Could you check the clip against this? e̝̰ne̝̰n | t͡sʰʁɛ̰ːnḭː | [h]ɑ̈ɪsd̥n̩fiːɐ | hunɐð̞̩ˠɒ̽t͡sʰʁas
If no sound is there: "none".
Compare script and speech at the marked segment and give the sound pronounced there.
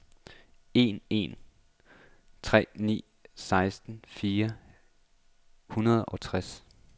s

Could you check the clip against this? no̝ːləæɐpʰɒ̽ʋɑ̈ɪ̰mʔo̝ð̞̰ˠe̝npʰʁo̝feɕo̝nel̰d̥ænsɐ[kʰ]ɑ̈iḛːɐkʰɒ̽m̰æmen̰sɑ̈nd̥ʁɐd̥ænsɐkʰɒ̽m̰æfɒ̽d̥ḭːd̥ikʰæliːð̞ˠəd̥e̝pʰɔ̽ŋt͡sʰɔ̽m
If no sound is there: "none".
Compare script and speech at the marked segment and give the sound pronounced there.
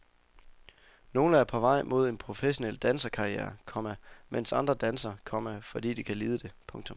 kʰ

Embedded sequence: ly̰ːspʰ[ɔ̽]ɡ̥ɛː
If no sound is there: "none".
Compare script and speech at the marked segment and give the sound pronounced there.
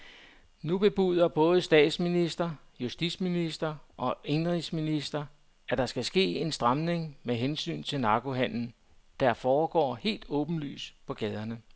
ɒ̽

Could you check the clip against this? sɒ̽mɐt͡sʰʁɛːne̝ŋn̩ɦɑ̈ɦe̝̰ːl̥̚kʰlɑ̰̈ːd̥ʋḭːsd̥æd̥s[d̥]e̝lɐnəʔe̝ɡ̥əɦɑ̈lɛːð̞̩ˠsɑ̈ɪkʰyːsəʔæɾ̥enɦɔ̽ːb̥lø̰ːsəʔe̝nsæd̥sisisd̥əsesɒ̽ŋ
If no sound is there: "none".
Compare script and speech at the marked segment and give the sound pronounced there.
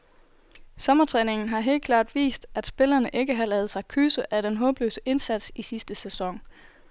b̥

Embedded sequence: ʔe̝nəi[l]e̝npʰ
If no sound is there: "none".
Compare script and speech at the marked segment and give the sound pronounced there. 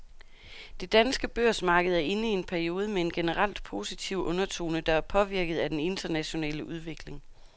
none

